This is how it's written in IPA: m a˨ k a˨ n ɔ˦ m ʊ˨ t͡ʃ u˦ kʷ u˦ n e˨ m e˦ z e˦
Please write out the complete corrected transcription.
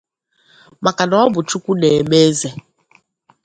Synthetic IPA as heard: m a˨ k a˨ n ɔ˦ b ʊ˨ t͡ʃ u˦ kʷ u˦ n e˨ m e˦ z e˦